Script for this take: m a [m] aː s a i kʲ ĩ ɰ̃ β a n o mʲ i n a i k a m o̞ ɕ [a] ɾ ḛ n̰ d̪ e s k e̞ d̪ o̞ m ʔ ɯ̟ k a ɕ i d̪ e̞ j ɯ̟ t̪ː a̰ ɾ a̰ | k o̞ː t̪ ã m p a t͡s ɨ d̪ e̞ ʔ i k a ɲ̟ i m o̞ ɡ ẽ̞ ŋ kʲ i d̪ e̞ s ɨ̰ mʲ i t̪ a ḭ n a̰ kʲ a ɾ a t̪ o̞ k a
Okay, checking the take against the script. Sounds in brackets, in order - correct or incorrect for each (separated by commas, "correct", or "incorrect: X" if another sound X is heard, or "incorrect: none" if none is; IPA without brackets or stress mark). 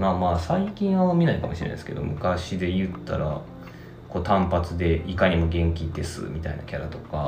correct, incorrect: i